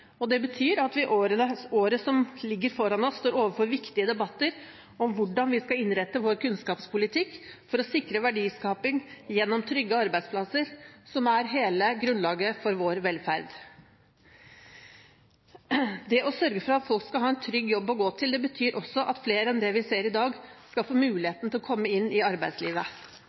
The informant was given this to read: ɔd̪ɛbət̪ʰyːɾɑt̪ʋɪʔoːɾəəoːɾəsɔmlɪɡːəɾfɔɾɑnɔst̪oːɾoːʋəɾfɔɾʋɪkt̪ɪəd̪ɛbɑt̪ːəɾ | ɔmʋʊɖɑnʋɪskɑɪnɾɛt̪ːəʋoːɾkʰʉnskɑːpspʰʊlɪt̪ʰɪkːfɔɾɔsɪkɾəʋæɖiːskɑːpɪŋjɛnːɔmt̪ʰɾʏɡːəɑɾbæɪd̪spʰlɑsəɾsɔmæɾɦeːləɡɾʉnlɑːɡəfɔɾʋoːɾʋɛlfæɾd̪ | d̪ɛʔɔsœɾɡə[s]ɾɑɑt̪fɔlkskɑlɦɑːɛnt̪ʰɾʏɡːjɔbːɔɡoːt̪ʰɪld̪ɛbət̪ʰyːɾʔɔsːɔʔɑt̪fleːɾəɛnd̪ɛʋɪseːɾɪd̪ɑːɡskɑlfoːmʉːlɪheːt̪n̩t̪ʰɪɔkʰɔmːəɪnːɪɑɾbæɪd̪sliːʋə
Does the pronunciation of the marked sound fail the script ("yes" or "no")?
yes